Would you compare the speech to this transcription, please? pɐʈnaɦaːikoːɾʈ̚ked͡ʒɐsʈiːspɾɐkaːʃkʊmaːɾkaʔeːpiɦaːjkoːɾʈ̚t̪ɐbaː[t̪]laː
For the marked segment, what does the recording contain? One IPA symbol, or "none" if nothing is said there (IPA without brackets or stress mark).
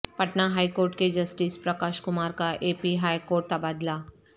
d̪